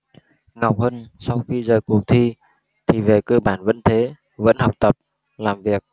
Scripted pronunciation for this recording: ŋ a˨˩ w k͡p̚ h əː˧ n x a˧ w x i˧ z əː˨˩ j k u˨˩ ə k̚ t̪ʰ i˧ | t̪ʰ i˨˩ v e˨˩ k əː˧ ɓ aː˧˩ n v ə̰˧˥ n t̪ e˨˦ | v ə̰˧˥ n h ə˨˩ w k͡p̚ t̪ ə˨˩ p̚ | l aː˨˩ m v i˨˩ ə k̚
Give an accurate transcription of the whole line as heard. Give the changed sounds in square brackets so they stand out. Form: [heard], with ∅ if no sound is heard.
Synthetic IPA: ŋ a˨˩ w k͡p̚ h əː˧ n [s] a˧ w x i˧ z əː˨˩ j k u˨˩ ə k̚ t̪ʰ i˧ | t̪ʰ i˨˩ v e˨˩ k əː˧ ɓ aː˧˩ n v ə̰˧˥ n [t̪ʰ] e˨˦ | v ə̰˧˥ n h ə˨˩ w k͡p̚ t̪ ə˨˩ p̚ | l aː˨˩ m v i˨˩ ə k̚